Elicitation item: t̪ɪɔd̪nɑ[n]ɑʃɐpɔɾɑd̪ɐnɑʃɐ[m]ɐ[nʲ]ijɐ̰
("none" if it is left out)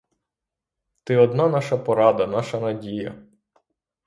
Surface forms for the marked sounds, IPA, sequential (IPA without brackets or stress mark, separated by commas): n, n, dʲ